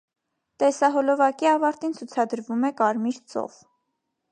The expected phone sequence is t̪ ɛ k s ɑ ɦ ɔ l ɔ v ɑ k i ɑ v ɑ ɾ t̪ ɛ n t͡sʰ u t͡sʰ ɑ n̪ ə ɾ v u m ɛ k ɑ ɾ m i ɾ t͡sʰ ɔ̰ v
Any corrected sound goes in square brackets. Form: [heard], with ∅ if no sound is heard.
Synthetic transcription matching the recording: t̪ ɛ [∅] s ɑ ɦ ɔ l ɔ v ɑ k i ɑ v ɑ ɾ t̪ [i] n t͡sʰ u t͡sʰ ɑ [d̪] ə ɾ v u m ɛ k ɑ ɾ m i ɾ [t͡s] ɔ̰ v